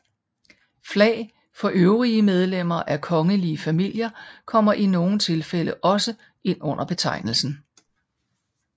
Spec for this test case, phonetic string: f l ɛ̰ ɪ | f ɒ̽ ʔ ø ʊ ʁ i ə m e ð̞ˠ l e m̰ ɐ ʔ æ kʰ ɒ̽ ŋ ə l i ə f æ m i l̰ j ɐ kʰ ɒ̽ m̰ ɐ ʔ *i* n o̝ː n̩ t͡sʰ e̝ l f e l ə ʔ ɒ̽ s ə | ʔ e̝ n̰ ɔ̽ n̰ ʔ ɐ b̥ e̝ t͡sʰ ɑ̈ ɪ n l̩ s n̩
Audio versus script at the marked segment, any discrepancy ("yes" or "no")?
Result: no